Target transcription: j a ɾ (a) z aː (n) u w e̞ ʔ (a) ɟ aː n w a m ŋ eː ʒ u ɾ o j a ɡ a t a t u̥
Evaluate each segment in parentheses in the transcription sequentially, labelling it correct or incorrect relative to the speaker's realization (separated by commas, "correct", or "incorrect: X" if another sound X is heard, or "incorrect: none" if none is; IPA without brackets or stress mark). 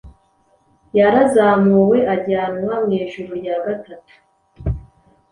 correct, incorrect: m, correct